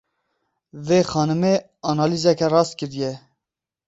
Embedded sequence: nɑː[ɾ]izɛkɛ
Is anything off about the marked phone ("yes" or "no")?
yes